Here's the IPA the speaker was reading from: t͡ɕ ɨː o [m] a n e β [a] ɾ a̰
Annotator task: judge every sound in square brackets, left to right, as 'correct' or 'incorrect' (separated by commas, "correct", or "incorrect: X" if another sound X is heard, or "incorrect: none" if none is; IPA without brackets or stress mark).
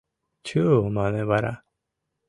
correct, correct